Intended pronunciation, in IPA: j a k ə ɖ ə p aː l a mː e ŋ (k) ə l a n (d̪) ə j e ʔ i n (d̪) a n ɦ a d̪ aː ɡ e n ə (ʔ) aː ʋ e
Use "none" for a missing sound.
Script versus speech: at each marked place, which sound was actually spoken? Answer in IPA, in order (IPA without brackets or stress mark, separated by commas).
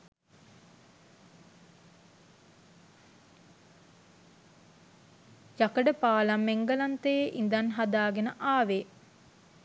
ɡ, t̪, d̪, ʔ